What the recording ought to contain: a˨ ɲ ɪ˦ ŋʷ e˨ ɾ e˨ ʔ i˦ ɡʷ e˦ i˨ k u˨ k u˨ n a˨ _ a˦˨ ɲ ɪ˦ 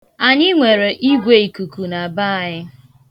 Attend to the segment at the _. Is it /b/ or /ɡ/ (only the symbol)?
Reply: b